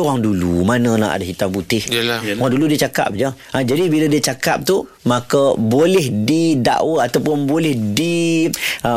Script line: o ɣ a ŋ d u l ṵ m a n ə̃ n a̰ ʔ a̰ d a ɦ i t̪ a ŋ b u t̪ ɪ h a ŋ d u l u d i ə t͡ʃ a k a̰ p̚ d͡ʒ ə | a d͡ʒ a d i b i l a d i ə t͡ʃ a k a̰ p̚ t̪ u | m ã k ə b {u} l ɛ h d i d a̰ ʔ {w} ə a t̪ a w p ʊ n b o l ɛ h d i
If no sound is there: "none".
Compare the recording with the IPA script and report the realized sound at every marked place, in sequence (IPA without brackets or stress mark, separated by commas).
o, w